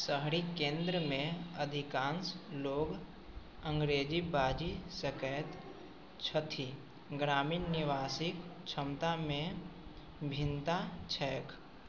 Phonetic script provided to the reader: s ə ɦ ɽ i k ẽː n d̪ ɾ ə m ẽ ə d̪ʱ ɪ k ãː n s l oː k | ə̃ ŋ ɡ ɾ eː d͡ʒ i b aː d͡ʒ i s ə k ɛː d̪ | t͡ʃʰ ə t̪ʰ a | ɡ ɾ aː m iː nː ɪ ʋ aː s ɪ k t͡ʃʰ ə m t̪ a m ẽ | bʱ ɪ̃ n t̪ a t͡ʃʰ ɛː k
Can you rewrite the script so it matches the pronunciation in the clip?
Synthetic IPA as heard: s ə ɦ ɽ i k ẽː n d̪ ɾ ə m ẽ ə d̪ʱ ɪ k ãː n s l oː ɡ | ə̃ ŋ ɡ ɾ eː d͡ʒ i b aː d͡ʒ i s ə k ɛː t̪ | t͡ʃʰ ə t̪ʰ i | ɡ ɾ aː m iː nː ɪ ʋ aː s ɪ k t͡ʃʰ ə m t̪ a m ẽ | bʱ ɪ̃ n t̪ a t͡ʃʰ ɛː k